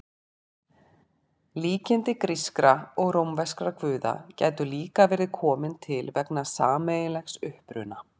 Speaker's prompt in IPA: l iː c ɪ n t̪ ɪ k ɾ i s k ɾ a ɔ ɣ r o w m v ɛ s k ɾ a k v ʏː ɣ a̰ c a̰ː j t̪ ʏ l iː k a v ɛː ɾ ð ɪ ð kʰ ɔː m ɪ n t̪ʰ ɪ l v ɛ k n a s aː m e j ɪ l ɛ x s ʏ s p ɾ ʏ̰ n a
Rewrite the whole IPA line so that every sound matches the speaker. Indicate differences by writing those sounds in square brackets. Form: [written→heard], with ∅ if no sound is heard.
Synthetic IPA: l iː c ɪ n t̪ ɪ k ɾ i s k ɾ a ɔ ɣ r o w m v ɛ s k ɾ a k v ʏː [ɣ→ð] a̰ c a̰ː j t̪ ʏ l iː k a v ɛː ɾ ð ɪ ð kʰ ɔː m ɪ n t̪ʰ ɪ l v ɛ k n a s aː m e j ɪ l ɛ x s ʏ [s→h] p ɾ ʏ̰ n a